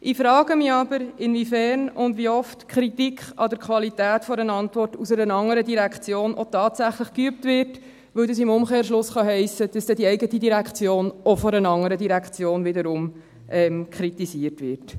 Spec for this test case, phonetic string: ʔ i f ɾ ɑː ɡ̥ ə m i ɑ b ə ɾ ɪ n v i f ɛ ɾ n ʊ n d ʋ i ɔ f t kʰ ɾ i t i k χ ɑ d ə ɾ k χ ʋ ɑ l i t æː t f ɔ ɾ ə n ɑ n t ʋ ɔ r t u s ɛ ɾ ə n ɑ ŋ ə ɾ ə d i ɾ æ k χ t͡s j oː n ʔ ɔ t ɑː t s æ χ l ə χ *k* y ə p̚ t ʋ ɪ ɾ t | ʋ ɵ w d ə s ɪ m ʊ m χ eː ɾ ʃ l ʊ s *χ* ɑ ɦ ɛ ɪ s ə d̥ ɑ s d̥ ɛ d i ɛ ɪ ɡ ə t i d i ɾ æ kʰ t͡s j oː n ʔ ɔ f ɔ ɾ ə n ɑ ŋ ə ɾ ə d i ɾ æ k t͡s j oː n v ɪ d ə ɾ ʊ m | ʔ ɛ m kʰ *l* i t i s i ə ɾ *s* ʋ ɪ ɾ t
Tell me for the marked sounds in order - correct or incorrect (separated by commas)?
correct, correct, incorrect, incorrect